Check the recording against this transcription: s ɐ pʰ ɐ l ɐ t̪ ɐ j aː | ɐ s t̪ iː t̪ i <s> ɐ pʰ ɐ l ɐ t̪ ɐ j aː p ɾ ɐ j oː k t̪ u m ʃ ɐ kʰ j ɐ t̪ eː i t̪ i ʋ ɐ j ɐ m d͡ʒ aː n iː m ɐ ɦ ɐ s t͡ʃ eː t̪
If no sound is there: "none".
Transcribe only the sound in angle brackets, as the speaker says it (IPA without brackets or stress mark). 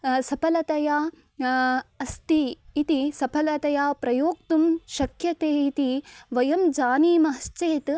s